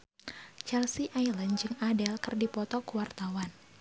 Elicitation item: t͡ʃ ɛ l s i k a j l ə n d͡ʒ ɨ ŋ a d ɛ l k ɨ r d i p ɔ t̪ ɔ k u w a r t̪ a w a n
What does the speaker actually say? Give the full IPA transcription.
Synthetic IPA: t͡ʃ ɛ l s i ʔ a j l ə n d͡ʒ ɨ ŋ a d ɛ l k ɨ r d i p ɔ t̪ ɔ k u w a r t̪ a w a n